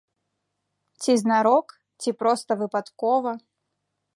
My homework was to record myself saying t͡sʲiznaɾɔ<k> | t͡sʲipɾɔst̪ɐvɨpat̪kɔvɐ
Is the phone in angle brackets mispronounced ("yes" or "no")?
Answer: no